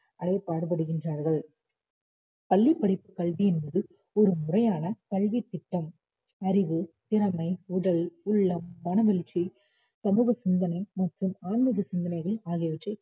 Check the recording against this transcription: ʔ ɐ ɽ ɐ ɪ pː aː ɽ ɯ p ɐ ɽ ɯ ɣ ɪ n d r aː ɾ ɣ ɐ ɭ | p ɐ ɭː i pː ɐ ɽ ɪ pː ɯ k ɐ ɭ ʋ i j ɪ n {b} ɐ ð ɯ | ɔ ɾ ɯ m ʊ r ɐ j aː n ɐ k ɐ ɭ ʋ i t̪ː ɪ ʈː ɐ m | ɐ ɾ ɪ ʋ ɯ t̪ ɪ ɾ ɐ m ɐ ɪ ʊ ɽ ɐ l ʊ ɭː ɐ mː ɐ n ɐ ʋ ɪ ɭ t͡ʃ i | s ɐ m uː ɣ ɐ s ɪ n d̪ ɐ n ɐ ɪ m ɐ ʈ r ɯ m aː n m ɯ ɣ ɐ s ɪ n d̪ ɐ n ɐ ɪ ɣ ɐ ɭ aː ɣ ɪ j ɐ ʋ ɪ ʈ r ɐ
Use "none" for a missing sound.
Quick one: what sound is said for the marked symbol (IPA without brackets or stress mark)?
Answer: b